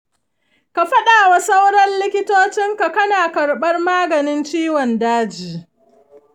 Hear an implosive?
yes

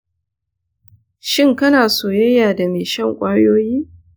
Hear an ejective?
yes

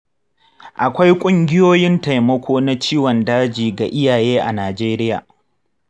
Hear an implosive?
no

